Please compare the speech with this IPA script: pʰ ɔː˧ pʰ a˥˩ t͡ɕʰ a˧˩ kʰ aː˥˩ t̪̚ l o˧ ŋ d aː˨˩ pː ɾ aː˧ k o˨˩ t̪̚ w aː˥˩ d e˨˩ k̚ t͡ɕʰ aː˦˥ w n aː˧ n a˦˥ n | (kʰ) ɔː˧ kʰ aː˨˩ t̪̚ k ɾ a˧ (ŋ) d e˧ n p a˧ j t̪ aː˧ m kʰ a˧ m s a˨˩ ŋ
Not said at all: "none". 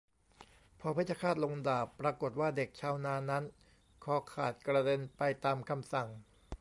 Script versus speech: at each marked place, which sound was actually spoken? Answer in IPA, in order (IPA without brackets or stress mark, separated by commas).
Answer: kʰ, none